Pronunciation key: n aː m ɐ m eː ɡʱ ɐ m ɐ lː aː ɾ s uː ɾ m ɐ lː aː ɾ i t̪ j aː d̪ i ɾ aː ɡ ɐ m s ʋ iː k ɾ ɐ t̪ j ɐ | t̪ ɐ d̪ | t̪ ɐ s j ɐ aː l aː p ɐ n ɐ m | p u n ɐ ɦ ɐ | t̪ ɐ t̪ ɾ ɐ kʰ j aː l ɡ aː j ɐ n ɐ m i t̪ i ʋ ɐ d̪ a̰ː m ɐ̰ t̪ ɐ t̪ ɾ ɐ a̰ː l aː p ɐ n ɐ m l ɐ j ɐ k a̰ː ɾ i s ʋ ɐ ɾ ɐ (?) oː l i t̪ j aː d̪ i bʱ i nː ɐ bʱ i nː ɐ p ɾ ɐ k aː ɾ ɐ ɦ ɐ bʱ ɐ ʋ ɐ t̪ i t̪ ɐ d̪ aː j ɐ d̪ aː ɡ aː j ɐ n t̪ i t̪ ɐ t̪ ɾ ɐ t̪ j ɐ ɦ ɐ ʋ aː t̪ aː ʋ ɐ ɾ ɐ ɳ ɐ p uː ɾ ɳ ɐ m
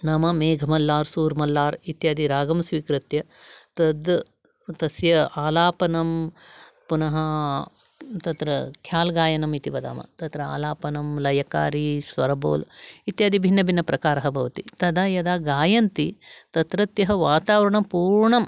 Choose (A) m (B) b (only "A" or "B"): B